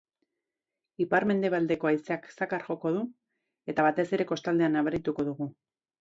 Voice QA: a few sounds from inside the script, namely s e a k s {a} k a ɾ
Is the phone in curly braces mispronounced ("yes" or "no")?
no